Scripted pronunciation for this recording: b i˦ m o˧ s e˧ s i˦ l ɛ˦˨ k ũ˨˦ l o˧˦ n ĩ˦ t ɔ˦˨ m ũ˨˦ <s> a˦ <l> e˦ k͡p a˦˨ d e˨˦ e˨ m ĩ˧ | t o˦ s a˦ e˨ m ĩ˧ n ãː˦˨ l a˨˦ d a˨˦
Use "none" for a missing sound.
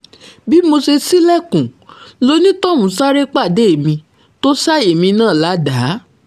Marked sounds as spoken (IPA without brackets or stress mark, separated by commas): s, ɾ